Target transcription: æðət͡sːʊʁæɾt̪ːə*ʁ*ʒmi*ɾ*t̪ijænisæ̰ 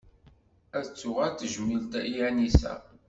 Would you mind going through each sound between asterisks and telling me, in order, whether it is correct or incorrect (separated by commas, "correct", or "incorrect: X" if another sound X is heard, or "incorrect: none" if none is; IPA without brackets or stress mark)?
incorrect: none, incorrect: l